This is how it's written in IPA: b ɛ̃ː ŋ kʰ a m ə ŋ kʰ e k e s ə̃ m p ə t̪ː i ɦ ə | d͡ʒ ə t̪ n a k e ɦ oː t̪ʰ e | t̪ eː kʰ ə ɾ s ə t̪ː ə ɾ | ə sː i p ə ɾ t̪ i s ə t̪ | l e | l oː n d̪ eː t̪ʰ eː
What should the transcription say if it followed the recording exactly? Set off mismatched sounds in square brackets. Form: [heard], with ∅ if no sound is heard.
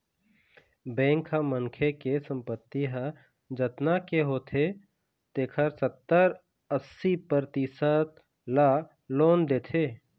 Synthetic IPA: b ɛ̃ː ŋ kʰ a m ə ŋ kʰ e k e s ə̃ m p ə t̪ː i ɦ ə | d͡ʒ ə t̪ n a k e ɦ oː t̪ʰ e | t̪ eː kʰ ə ɾ s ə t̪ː ə ɾ | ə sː i p ə ɾ t̪ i s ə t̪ | l [a] | l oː n d̪ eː t̪ʰ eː